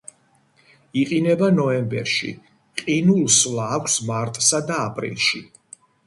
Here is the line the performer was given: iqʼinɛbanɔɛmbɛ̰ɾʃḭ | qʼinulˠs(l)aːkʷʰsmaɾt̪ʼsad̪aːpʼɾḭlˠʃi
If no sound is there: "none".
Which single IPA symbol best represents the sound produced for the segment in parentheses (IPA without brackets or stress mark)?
l